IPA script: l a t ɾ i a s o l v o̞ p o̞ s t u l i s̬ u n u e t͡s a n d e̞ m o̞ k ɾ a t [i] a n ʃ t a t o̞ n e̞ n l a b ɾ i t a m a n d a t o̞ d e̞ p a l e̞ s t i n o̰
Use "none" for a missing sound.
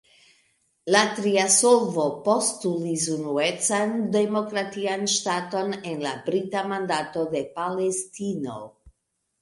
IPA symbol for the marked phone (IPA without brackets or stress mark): i